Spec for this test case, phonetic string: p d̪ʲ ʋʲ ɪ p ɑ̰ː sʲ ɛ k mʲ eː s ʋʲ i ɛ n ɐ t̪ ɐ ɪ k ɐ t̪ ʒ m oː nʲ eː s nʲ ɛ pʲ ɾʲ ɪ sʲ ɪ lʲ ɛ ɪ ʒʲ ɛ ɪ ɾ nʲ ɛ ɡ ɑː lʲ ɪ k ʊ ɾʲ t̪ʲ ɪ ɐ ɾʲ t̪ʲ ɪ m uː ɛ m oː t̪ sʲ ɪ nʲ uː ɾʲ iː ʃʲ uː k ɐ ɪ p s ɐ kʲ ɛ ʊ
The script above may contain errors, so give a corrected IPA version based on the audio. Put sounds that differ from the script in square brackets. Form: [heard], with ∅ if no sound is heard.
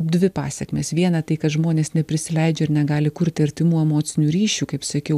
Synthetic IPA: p d̪ʲ ʋʲ ɪ p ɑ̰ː sʲ ɛ k mʲ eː s ʋʲ i ɛ n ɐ t̪ ɐ ɪ k ɐ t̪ ʒ m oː nʲ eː s nʲ ɛ pʲ ɾʲ ɪ sʲ ɪ lʲ ɛ ɪ [d͡ʒʲ] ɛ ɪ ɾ nʲ ɛ ɡ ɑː lʲ ɪ k ʊ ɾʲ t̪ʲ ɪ ɐ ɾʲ t̪ʲ ɪ m uː ɛ m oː t̪ sʲ ɪ nʲ uː ɾʲ iː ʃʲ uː k ɐ ɪ p s ɐ kʲ ɛ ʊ